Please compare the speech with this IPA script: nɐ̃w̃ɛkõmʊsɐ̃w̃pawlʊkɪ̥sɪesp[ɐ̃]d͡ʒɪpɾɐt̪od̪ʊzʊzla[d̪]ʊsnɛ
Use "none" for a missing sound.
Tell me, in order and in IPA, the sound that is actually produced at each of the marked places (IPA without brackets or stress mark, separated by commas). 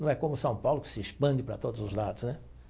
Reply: ɐ̃, d̪